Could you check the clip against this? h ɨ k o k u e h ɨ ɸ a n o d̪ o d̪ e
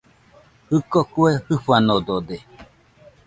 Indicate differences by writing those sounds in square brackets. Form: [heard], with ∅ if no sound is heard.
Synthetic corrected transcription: h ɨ k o k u e h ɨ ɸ a n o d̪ o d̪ e